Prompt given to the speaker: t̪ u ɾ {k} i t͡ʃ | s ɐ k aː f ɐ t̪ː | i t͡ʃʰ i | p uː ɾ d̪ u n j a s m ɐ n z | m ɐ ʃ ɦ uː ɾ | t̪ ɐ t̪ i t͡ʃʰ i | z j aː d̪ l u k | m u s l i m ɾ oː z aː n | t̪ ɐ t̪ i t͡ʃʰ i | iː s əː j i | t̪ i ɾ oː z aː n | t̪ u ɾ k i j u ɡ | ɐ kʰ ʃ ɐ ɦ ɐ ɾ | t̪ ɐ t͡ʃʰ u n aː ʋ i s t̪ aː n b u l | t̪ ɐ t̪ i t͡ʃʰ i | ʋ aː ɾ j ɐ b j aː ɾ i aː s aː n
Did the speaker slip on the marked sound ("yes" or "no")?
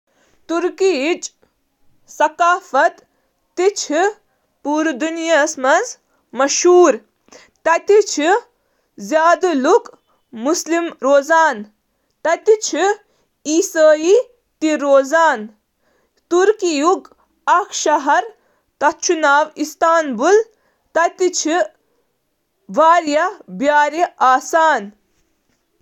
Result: no